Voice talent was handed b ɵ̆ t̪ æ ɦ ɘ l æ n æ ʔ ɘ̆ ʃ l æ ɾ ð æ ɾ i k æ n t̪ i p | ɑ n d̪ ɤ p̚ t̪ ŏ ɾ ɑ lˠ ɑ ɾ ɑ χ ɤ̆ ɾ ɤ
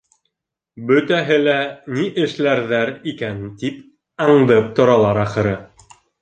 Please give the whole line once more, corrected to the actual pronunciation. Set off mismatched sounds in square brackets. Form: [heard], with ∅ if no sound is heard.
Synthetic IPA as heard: b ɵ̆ t̪ æ ɦ ɘ l æ n [i] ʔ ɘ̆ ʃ l æ ɾ ð æ ɾ i k æ n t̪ i p | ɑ [ɴ] d̪ ɤ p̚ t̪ ŏ ɾ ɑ lˠ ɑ ɾ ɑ χ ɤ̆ ɾ ɤ